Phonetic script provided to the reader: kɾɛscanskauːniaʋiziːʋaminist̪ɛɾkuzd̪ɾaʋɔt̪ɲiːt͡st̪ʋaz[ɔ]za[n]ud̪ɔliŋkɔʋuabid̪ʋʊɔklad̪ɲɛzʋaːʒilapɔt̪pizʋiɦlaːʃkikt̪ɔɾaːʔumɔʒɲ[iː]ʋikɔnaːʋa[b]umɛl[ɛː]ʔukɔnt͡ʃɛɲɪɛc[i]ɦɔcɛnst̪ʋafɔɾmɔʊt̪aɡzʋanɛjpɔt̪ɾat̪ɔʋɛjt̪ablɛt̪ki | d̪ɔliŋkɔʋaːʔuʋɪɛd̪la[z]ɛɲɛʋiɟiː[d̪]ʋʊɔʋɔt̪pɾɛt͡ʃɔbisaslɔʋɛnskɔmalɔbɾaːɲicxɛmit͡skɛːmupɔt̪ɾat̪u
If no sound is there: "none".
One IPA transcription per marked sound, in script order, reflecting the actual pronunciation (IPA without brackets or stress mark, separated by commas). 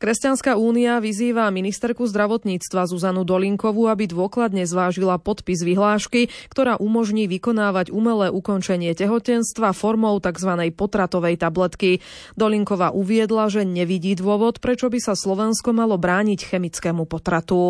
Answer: u, n, iː, ɟ, ɛː, ɛ, ʒ, d̪